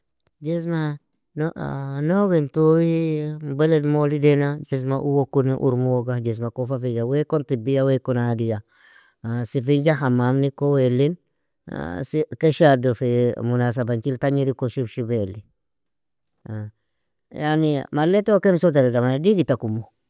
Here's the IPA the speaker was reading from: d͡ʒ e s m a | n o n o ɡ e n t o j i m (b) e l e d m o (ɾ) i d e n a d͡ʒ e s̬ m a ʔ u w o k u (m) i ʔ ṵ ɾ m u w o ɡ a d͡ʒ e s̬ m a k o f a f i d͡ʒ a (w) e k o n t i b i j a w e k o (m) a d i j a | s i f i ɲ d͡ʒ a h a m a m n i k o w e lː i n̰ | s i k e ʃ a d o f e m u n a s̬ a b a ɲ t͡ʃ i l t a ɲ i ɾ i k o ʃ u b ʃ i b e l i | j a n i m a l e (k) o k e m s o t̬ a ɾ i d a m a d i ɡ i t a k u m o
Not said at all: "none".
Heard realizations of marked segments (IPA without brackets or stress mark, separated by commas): b, l, n, w, n, t